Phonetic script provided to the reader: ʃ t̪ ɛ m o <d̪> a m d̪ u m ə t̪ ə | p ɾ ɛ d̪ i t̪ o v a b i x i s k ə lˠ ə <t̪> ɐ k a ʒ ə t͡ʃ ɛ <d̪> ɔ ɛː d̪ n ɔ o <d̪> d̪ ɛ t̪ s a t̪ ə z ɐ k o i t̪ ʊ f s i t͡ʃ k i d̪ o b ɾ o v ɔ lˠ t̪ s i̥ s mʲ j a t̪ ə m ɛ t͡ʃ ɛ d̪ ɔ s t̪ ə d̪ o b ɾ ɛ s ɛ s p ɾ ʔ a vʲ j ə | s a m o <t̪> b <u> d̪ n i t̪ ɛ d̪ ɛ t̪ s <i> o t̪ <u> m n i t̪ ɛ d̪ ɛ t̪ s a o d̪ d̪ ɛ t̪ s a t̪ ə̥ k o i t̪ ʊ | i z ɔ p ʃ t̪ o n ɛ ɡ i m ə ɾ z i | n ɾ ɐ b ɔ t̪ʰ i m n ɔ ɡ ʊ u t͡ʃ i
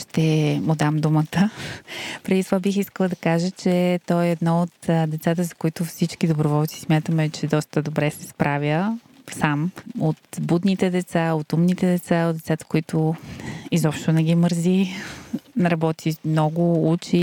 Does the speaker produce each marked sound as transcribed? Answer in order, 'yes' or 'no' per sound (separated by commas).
yes, no, no, no, yes, yes, no, yes